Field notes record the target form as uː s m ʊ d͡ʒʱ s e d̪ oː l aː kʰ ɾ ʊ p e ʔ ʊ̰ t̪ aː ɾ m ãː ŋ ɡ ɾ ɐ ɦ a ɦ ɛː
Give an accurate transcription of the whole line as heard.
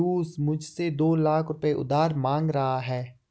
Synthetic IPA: uː s m ʊ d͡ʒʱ s e d̪ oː l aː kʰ ɾ ʊ p e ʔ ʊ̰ d̪ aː ɾ m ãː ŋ ɡ ɾ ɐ ɦ a ɦ ɛː